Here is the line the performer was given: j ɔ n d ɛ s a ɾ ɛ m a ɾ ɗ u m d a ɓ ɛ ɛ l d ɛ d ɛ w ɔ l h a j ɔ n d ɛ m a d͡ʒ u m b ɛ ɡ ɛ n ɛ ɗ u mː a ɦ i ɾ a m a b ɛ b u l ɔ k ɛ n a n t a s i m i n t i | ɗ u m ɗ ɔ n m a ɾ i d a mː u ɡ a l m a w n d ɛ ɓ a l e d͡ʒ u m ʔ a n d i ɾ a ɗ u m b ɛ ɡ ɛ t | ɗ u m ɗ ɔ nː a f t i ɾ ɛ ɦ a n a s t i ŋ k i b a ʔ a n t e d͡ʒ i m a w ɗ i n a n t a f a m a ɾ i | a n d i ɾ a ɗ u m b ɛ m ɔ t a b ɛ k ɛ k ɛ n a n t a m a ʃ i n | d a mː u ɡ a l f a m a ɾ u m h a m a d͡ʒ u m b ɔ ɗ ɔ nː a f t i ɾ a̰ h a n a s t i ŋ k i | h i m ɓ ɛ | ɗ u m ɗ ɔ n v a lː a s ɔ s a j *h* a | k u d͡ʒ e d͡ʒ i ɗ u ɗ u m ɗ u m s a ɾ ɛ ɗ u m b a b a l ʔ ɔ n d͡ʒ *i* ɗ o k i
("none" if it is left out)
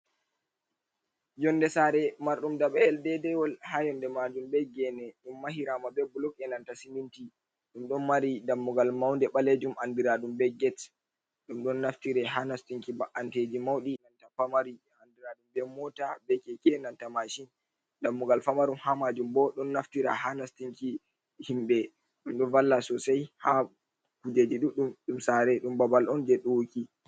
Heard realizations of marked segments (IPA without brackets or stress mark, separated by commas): h, ɛ